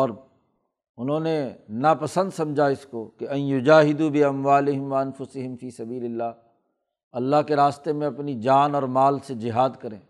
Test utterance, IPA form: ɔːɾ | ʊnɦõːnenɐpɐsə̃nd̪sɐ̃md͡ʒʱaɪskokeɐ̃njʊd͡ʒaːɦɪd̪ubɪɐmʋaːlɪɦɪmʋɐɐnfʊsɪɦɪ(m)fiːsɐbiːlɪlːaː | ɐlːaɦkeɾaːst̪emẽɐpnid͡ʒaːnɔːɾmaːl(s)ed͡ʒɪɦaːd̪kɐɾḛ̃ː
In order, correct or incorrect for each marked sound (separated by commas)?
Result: correct, correct